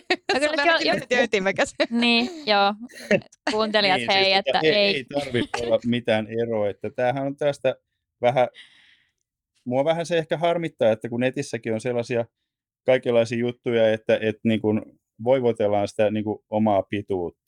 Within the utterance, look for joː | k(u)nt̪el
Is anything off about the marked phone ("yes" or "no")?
yes